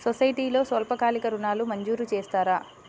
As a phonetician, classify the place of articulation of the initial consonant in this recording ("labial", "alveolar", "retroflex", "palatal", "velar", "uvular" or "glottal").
alveolar